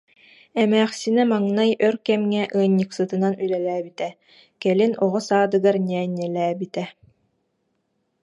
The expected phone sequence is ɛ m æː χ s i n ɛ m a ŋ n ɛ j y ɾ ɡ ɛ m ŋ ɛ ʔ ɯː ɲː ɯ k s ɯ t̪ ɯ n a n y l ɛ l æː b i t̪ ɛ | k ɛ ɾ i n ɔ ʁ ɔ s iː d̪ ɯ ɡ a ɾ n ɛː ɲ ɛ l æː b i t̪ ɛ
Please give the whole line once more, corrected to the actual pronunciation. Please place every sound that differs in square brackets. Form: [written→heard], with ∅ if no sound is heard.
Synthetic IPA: ɛ m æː χ s i n ɛ m a ŋ n [ɛ→a] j [y→œ] ɾ [ɡ→k] ɛ m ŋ ɛ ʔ ɯː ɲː ɯ k s ɯ t̪ ɯ n a n y l ɛ l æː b i t̪ ɛ | k ɛ [ɾ→l] i n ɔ ʁ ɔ s [iː→aː] d̪ ɯ ɡ a ɾ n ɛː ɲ ɛ l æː b i t̪ ɛ